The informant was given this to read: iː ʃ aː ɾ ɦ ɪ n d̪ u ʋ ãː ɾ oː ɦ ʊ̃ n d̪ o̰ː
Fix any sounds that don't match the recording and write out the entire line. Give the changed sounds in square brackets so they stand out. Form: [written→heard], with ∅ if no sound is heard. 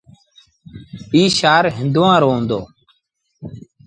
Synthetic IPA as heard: iː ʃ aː ɾ ɦ ɪ n d̪ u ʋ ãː ɾ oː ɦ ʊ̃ n d̪ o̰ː

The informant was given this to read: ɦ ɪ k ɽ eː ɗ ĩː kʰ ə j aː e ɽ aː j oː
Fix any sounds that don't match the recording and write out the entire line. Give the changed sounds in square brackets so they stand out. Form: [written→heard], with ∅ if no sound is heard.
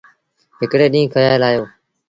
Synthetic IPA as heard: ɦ ɪ k ɽ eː ɗ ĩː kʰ ə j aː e [ɽ→l] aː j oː

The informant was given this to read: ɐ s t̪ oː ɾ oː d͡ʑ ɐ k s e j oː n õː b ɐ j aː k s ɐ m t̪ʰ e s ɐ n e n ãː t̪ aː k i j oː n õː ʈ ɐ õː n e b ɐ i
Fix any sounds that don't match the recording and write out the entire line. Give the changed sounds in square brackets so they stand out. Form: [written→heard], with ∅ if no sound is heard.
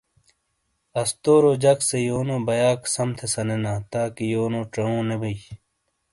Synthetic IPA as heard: ɐ s t̪ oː ɾ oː d͡ʑ ɐ k s e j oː n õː b ɐ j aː k s ɐ m t̪ʰ e s ɐ n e n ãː t̪ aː k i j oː n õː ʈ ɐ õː n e b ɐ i

